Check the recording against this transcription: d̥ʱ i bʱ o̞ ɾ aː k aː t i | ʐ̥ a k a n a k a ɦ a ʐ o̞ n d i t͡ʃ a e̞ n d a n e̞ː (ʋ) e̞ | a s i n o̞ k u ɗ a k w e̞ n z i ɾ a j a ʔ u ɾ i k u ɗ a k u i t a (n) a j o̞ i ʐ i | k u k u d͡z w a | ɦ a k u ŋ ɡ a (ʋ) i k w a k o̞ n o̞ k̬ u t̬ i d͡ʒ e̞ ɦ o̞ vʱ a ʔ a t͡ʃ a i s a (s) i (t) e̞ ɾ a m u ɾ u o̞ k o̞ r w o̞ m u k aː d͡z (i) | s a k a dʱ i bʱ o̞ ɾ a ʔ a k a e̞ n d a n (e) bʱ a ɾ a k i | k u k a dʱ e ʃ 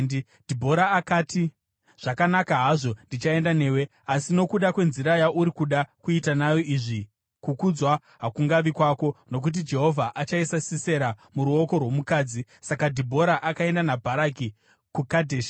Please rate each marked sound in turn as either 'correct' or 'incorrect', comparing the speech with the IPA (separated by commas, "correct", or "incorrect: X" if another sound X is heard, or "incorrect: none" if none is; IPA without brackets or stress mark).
incorrect: w, correct, correct, correct, incorrect: s, correct, incorrect: a